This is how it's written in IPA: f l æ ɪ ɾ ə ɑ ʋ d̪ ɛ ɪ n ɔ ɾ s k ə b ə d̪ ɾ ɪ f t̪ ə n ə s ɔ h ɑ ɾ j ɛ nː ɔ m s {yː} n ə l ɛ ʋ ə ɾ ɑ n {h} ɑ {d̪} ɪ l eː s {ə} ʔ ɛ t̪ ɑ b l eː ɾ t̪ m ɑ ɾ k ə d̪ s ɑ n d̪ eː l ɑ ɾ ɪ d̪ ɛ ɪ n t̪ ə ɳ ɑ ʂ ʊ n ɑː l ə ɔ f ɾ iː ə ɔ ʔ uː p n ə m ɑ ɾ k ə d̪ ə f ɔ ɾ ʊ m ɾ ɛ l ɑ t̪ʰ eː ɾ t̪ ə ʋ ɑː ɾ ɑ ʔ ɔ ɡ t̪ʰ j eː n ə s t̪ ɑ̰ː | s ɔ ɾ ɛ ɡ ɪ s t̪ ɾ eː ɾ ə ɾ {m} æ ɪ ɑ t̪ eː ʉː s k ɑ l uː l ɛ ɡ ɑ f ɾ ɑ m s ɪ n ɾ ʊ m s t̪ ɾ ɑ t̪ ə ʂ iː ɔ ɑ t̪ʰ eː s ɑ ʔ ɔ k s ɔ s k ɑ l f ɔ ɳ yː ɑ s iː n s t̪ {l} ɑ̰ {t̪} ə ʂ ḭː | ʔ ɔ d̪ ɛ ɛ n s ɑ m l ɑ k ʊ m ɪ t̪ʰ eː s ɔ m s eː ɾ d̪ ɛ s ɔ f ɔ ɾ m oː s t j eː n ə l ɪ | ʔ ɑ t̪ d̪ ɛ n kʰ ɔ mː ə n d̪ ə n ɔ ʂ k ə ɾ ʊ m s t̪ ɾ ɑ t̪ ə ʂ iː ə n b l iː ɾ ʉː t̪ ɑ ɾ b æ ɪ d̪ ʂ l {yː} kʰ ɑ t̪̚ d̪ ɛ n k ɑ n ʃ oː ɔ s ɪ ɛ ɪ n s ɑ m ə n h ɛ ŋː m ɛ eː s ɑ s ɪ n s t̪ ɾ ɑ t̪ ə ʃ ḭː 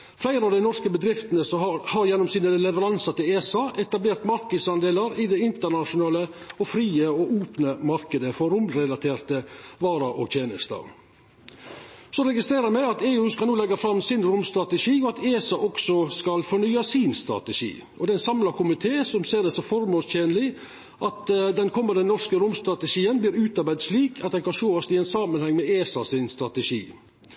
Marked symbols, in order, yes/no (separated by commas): no, no, no, no, yes, no, yes, no